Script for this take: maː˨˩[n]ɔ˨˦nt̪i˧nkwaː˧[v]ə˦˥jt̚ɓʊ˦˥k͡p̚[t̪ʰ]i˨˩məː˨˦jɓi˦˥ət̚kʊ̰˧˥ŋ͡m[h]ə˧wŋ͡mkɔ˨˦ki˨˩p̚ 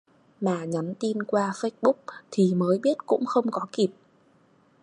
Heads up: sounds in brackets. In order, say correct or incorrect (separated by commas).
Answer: incorrect, incorrect, correct, incorrect